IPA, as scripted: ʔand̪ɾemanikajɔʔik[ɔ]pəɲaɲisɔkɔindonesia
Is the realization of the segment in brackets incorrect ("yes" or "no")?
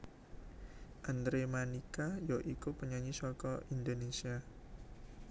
yes